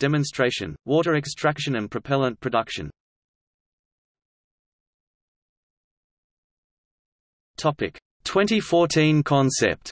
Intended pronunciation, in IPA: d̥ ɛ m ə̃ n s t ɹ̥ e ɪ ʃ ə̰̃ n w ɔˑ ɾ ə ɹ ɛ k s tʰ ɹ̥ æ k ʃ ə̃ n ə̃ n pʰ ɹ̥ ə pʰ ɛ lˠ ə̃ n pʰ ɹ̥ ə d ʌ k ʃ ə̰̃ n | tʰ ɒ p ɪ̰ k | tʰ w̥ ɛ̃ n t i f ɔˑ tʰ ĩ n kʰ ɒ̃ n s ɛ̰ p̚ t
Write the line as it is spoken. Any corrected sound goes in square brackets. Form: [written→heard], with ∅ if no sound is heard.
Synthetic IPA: d̥ ɛ m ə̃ n s t ɹ̥ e ɪ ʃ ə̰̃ n w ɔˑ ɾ ə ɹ ɛ k s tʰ ɹ̥ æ k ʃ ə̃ n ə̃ n pʰ ɹ̥ ə pʰ ɛ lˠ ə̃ n pʰ ɹ̥ ə d ʌ k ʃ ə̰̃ n | tʰ ɒ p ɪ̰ k | tʰ w̥ ɛ̃ n t i f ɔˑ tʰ ĩ n kʰ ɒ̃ n s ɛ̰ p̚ t